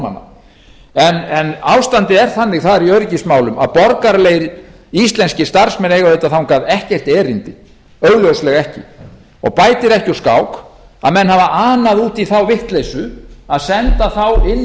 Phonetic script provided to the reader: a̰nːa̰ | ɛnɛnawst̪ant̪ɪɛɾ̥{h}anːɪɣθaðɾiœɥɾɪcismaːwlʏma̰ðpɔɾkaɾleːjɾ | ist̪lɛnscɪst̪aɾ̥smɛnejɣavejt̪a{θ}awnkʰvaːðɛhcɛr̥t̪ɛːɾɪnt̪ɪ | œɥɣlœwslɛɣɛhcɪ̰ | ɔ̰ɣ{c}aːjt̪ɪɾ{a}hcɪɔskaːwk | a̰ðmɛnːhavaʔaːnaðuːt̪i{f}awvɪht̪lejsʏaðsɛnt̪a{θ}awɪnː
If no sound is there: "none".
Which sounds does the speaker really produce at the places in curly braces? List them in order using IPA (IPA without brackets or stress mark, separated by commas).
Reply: θ, θ, p, ɛ, θ, θ